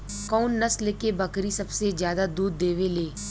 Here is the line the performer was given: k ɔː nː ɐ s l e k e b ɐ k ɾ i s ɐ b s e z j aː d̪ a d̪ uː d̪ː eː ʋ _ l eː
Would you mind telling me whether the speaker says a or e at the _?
e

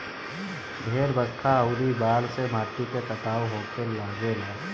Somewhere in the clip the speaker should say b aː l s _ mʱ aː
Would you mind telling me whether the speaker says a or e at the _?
e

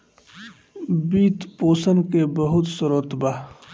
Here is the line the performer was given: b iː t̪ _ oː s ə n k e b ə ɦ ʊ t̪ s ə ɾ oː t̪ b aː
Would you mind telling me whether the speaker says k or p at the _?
p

